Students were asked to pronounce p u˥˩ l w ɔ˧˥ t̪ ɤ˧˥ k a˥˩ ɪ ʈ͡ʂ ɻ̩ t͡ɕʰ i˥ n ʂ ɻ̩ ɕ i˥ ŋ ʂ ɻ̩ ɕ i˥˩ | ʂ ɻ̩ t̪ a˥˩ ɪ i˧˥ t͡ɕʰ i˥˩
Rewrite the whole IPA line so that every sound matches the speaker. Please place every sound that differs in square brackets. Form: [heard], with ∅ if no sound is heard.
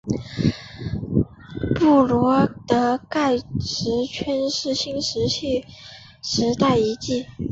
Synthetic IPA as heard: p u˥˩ l w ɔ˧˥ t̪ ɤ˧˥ k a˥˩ ɪ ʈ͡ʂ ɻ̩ t͡ɕʰ [ɛ˥] n ʂ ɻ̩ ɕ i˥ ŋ ʂ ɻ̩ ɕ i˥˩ | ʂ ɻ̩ t̪ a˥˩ ɪ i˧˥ [t͡ɕ] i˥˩